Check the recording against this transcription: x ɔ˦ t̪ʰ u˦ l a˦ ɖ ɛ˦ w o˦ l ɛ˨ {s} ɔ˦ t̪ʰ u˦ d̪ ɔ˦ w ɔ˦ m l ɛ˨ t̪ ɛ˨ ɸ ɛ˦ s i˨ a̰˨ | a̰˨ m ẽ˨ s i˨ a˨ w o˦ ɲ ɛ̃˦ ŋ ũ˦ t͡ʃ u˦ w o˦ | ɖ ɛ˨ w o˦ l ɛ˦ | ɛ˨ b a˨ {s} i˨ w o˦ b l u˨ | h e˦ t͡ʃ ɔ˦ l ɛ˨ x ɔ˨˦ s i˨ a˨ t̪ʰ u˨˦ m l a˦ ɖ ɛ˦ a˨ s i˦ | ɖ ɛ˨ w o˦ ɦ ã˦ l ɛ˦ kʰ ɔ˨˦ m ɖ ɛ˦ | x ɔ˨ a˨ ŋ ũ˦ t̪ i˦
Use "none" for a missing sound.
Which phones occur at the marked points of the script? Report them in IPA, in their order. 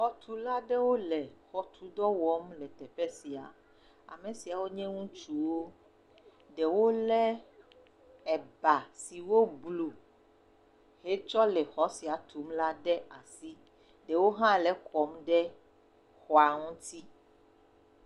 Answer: x, s

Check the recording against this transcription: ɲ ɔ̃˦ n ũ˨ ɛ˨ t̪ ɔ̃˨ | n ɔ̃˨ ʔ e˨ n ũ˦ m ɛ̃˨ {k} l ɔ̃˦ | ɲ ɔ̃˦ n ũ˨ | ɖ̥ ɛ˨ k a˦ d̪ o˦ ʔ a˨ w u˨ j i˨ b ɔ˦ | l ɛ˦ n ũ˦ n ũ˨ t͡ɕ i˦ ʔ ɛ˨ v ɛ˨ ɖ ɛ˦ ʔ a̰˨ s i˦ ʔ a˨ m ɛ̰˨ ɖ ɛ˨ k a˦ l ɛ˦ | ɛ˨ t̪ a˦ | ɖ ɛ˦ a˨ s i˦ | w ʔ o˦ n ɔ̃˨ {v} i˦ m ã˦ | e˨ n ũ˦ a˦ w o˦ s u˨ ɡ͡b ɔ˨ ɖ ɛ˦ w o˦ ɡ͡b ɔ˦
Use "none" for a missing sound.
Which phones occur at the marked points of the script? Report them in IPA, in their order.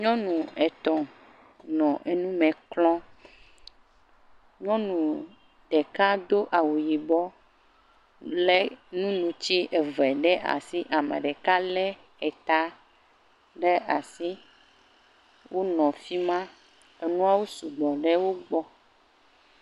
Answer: k, f

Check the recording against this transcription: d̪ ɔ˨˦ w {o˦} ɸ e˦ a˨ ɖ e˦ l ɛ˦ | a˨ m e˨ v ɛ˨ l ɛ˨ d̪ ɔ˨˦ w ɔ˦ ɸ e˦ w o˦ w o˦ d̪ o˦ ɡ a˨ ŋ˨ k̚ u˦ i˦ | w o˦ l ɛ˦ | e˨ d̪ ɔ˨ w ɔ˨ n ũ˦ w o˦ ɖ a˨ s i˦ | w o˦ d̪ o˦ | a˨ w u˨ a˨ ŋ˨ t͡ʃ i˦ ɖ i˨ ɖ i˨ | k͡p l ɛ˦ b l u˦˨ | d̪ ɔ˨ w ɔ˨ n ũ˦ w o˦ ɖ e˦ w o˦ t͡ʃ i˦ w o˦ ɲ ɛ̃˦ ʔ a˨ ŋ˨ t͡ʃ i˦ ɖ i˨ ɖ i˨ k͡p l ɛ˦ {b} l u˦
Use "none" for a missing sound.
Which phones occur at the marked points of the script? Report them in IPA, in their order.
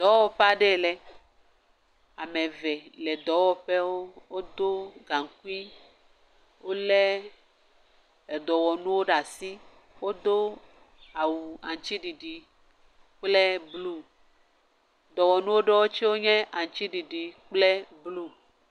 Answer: ɔ˦, b

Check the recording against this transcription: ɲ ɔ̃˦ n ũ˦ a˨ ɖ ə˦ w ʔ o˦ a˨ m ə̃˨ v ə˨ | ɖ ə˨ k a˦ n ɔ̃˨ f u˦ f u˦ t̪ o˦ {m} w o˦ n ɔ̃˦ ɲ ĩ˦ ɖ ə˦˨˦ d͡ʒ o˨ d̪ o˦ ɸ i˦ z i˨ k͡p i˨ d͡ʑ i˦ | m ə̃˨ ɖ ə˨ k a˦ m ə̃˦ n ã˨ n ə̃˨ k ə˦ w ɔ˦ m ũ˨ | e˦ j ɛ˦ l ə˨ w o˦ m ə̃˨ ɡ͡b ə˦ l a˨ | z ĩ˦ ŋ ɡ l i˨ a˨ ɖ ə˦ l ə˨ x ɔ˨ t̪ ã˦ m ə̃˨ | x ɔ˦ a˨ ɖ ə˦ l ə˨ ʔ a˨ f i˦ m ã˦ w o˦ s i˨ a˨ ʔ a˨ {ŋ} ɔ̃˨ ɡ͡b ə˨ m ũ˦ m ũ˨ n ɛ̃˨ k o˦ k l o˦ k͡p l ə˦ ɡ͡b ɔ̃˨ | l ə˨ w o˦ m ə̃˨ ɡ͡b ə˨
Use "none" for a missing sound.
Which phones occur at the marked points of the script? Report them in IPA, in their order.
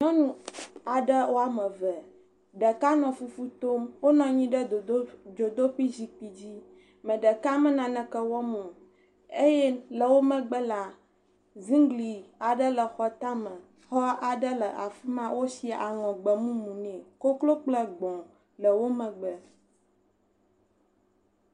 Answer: m, ŋ

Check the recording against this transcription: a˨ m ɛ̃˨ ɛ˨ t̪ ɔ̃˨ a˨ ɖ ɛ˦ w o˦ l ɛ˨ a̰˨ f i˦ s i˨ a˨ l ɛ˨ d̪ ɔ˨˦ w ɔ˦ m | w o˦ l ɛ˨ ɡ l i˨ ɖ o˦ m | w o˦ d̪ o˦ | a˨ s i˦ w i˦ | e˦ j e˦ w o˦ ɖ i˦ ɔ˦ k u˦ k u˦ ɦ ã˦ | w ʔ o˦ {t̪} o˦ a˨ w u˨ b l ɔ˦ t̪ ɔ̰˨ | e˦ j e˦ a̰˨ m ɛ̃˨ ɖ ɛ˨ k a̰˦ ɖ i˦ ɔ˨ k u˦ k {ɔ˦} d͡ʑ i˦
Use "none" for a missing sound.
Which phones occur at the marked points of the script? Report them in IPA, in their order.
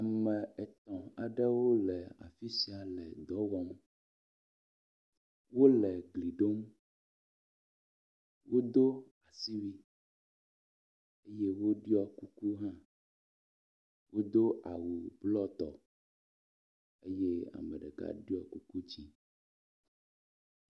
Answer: d̪, u˦

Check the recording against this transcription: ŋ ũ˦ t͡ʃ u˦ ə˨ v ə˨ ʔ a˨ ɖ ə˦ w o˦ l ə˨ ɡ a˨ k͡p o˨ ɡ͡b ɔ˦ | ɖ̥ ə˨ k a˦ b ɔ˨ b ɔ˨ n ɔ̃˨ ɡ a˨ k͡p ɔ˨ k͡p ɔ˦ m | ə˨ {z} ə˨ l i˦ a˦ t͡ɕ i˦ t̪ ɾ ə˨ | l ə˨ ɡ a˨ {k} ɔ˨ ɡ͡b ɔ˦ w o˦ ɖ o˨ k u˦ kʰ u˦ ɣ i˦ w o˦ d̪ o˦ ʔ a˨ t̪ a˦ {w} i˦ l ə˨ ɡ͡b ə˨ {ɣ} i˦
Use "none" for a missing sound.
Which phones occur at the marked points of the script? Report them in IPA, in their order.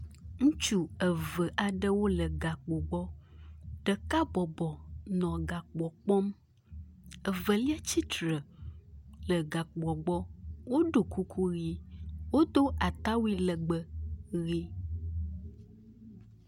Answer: v, k͡p, w, ɣ

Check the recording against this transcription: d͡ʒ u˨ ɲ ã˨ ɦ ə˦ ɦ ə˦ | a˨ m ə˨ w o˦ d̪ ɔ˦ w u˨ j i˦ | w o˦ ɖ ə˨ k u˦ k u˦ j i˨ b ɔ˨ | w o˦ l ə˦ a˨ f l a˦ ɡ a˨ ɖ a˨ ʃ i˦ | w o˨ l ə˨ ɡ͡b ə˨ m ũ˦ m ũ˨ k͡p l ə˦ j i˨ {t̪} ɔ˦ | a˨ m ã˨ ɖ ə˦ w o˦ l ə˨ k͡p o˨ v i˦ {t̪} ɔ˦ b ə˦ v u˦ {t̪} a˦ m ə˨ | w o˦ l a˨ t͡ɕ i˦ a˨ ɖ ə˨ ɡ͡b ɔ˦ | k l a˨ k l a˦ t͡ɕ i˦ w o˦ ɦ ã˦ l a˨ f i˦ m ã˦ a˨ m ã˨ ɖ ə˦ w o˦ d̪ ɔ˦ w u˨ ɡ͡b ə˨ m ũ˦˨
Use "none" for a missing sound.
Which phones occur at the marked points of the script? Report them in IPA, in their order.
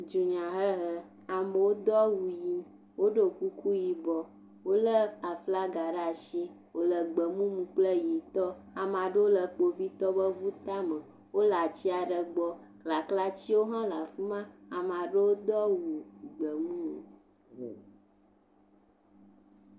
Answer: t̪, t̪, t̪

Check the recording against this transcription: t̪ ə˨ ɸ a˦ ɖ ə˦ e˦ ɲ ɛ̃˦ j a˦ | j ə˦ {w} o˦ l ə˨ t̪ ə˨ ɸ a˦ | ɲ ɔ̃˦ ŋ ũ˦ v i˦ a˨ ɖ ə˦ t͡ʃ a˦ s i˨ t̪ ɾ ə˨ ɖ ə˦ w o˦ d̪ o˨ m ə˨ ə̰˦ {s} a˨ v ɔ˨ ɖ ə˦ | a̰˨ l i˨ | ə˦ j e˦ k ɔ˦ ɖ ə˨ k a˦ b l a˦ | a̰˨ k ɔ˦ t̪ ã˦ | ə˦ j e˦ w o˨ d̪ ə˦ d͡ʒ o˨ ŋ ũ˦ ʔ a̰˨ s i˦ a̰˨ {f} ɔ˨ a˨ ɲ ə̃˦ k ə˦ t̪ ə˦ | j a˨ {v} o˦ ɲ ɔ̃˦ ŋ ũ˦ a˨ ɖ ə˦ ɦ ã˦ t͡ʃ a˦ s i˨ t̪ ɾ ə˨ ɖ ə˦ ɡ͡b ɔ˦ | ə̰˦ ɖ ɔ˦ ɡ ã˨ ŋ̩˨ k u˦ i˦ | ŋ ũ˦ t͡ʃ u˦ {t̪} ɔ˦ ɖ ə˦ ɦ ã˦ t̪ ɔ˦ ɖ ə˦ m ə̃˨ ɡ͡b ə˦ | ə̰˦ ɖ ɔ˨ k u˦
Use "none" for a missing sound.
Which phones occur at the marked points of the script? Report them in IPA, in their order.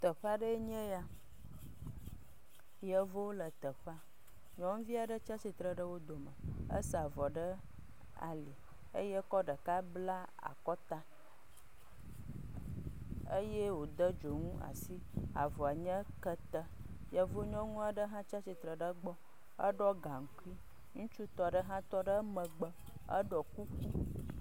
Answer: v, s, v, v, t̪

